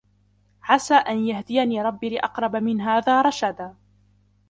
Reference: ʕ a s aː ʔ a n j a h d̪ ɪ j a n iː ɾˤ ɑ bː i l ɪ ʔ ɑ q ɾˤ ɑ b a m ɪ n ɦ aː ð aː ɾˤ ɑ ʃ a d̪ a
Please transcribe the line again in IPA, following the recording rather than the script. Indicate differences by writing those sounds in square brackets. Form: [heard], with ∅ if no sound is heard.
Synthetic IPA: ʕ a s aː ʔ a n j a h d̪ ɪ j a n iː ɾˤ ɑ bː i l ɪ ʔ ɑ q ɾˤ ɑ b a m ɪ n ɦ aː ð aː ɾˤ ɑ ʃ a d̪ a